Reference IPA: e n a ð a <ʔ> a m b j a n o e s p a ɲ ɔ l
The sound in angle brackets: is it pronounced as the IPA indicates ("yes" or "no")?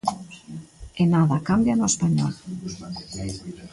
no